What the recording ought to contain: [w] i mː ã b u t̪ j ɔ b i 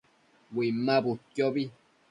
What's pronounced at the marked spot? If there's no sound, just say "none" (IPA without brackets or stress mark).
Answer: w